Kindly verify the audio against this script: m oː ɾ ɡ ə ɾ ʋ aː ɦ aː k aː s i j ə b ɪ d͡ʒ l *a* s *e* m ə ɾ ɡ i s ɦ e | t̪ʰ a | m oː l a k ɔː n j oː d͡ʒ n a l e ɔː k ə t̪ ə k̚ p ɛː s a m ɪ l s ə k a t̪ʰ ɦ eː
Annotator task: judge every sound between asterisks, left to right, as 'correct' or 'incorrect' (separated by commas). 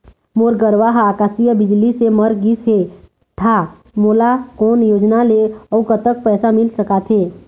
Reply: incorrect, correct